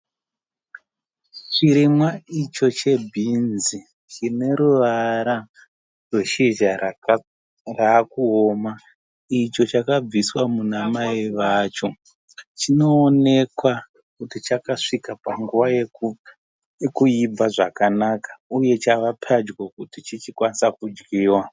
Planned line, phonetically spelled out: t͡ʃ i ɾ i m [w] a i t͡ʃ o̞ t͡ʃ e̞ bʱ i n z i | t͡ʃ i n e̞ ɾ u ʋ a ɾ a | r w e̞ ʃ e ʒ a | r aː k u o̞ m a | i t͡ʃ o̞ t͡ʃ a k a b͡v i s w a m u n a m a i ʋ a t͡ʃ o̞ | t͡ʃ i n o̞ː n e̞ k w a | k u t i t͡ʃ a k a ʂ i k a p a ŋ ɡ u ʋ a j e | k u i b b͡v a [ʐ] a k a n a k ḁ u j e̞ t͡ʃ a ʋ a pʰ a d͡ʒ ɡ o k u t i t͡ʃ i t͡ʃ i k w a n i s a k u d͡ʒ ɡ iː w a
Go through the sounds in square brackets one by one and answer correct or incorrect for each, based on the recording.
correct, correct

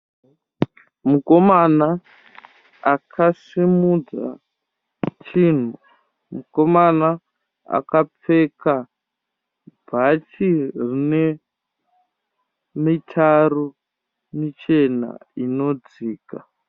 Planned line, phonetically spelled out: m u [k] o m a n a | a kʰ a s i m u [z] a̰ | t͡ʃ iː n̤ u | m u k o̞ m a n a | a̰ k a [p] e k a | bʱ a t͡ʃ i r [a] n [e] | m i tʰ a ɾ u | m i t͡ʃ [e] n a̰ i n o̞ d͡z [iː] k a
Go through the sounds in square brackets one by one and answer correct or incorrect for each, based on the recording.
correct, incorrect: d͡z, incorrect: p͡f, incorrect: i, correct, correct, correct

